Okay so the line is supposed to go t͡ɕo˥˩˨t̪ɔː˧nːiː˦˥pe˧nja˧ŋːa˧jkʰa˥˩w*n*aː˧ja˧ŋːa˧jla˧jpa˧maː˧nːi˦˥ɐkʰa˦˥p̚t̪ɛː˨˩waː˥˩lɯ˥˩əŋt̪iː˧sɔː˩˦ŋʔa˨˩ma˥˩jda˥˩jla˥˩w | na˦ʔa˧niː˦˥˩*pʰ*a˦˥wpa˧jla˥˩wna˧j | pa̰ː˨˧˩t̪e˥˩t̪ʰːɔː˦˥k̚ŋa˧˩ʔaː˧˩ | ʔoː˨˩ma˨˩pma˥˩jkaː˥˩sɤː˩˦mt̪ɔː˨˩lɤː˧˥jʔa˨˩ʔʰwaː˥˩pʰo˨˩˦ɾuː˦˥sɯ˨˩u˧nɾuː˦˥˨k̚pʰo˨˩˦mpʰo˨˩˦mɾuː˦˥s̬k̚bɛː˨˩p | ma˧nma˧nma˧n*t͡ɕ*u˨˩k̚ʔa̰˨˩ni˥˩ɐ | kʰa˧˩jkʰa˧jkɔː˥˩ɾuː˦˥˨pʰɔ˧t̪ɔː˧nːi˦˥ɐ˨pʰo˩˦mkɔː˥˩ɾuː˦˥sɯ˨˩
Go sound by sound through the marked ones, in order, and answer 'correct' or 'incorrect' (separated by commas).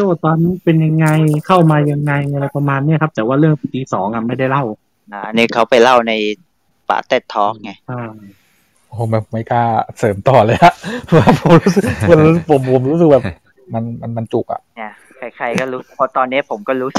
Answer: incorrect, incorrect, correct